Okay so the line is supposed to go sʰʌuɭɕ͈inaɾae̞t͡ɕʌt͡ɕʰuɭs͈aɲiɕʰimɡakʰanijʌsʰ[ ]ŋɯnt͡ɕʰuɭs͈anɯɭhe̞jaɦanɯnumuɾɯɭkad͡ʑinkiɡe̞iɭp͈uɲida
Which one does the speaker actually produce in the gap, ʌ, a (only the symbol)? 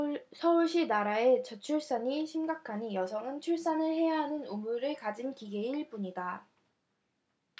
ʌ